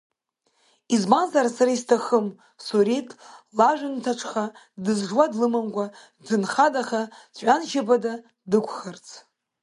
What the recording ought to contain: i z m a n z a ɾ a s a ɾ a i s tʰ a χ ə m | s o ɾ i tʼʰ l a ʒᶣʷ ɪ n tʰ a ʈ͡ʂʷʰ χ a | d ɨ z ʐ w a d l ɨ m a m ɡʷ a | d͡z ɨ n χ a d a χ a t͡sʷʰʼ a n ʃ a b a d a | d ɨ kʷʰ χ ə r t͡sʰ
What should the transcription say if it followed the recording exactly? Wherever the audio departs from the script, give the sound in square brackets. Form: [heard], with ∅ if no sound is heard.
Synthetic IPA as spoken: i z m a n z a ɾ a s a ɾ a i s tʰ a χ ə m | s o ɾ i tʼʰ l a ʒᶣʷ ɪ n tʰ a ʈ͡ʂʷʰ χ a | d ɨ z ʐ w a d l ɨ m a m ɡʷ a | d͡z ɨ n χ a d a χ a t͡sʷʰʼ a n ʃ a b a d a | d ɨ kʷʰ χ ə r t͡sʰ